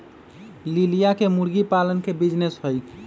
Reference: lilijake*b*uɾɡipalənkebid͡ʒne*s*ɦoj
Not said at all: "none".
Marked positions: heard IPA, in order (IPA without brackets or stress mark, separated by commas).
m, s